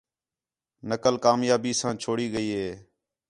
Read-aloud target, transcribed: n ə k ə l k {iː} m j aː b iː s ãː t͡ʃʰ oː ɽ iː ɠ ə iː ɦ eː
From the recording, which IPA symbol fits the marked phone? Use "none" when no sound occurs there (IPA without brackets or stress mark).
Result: aː